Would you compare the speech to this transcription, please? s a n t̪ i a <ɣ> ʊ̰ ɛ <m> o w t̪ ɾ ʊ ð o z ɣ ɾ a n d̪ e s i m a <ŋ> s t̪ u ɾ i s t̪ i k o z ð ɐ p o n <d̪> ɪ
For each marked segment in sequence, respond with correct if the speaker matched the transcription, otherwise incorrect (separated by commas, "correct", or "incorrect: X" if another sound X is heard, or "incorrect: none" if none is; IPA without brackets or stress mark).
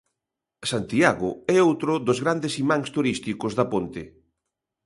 correct, incorrect: none, correct, incorrect: t̪